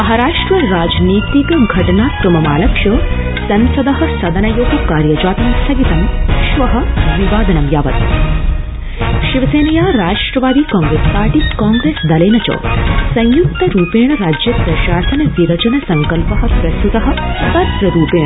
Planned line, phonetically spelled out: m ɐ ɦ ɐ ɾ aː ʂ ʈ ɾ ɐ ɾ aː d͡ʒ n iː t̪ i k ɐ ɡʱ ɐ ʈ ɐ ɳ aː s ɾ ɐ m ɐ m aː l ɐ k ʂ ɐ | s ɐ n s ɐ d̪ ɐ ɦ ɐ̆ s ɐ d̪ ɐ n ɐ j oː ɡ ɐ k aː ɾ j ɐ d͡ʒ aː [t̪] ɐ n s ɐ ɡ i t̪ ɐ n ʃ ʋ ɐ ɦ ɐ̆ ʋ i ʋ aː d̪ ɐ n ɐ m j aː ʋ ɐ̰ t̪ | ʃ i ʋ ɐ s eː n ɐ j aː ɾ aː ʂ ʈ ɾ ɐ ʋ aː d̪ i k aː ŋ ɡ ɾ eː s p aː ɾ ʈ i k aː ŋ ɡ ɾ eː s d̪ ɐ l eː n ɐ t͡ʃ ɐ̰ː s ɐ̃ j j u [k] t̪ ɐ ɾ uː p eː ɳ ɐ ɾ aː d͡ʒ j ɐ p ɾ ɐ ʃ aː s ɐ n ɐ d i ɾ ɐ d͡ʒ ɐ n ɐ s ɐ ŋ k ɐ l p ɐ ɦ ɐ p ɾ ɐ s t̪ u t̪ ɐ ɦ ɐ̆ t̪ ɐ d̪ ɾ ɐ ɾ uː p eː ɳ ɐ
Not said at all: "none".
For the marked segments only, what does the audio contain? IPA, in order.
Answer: t̪, k

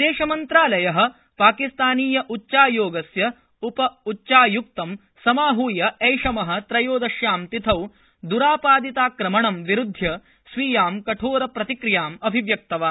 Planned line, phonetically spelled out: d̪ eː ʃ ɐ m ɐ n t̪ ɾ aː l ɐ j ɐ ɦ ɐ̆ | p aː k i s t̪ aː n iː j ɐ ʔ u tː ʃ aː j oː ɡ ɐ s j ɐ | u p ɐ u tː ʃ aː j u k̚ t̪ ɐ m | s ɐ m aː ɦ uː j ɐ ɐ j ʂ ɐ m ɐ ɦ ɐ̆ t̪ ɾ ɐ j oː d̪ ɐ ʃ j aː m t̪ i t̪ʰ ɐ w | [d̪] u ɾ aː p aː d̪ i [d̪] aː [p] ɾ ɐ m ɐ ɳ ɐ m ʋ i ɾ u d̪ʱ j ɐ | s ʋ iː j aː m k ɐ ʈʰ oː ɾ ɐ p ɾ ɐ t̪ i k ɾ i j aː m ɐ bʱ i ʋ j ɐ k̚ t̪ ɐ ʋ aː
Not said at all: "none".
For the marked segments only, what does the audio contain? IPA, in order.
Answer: d̪, t̪, k

